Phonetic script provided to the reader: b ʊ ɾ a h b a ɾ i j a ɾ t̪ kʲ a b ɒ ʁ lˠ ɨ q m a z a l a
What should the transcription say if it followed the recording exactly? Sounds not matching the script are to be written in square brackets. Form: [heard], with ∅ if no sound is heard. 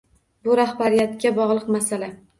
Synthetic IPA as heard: b ʊ ɾ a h b a ɾ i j a [∅] t̪ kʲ a b ɒ ʁ lˠ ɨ q m a [s] a l a